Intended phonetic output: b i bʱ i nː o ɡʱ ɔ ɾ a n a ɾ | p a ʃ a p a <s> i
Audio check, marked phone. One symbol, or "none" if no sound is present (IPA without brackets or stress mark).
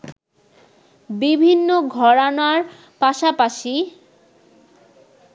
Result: ʃ